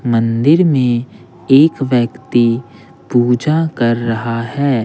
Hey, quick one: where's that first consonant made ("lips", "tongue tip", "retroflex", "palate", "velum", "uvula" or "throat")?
lips